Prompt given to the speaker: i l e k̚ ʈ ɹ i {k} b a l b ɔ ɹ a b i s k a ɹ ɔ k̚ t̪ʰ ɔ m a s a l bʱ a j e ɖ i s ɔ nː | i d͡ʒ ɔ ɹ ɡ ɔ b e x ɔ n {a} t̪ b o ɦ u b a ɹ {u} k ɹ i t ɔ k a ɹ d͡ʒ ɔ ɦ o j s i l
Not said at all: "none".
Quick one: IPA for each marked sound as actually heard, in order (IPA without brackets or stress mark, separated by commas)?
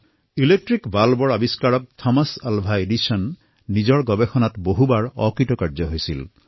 k, a, ɔ